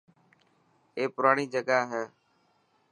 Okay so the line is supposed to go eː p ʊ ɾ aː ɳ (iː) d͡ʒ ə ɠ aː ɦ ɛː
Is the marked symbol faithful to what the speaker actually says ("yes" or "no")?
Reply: yes